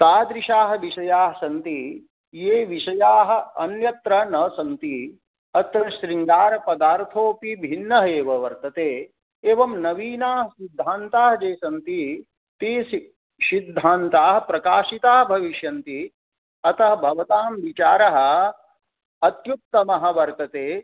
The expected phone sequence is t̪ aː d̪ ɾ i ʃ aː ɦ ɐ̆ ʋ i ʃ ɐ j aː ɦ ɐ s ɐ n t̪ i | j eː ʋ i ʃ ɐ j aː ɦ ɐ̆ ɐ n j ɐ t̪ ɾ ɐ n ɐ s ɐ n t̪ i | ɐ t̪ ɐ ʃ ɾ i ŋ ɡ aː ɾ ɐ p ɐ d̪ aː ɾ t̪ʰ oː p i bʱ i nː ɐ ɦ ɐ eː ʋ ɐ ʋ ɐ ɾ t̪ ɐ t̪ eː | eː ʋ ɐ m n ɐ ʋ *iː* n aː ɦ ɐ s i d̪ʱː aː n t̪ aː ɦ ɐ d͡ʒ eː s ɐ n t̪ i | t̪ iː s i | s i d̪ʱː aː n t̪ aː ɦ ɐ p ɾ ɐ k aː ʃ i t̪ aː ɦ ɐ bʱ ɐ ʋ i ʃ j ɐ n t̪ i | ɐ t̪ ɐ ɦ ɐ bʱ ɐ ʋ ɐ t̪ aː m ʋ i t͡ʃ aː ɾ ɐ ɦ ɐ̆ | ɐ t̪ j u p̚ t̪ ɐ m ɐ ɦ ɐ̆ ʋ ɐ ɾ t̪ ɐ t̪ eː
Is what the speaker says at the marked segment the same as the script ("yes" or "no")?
yes